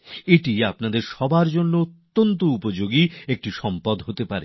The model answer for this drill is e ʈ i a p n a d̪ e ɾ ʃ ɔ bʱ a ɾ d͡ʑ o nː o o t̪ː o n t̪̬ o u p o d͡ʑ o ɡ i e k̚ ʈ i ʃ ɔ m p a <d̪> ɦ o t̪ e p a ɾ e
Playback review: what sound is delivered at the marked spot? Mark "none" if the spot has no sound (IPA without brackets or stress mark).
d̪